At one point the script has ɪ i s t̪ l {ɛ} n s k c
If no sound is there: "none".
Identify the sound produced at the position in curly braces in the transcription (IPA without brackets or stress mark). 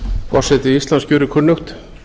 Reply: a